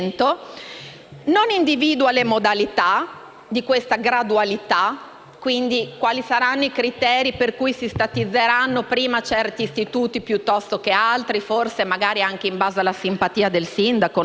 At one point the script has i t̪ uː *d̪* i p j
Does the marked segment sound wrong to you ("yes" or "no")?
yes